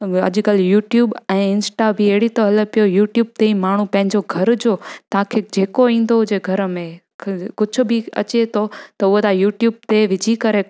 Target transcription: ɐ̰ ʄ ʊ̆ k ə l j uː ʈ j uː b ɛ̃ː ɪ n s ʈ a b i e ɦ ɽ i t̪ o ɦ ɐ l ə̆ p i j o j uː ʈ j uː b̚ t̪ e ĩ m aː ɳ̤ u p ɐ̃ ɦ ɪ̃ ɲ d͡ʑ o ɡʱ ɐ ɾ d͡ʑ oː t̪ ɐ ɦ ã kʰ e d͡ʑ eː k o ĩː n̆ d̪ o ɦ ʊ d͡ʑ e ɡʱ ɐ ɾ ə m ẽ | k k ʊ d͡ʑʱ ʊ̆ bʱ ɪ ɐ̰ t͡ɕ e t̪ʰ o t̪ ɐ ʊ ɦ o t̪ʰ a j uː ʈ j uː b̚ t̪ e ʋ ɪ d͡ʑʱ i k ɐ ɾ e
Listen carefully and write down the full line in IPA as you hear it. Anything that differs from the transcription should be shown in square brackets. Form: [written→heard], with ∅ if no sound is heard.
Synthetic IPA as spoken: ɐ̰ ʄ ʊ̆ k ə l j uː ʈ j uː b ɛ̃ː ɪ n s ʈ a b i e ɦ ɽ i t̪ o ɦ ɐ l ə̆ p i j o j uː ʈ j uː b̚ t̪ e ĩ m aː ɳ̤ u p ɐ̃ ɦ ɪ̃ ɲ d͡ʑ o ɡʱ ɐ ɾ d͡ʑ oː t̪ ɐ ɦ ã kʰ e d͡ʑ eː k o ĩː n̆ d̪ o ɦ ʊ d͡ʑ e ɡʱ ɐ ɾ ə m ẽ | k k ʊ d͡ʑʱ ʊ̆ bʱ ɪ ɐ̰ t͡ɕ e t̪ʰ o t̪ ɐ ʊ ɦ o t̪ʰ a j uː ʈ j uː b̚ t̪ e ʋ ɪ d͡ʑʱ i k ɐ ɾ e